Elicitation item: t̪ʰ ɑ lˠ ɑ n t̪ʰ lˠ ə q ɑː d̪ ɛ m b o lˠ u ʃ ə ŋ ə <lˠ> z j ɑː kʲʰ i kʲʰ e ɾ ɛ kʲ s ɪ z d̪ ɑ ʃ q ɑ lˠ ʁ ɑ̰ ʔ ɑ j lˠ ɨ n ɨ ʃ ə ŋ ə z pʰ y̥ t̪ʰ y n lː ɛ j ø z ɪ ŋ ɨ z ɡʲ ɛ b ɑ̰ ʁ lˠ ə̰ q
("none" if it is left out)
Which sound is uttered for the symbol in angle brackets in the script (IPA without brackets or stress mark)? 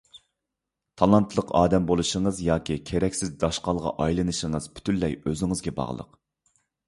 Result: none